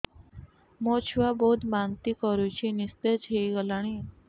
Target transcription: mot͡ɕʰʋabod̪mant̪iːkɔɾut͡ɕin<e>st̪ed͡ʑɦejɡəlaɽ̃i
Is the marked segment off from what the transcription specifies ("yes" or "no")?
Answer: yes